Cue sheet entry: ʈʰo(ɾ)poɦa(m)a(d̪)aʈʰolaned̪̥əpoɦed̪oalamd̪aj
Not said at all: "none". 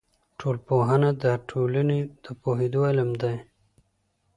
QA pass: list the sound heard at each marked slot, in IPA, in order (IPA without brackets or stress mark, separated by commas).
l, n, d̪